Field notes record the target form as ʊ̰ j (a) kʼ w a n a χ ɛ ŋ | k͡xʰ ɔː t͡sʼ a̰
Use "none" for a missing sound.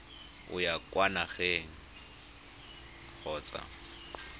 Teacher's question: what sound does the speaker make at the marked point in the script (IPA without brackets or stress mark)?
a